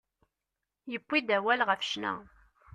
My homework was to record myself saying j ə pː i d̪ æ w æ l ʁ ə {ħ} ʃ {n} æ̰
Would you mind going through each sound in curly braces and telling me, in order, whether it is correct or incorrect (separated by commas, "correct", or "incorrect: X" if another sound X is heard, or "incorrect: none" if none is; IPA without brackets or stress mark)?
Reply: incorrect: f, correct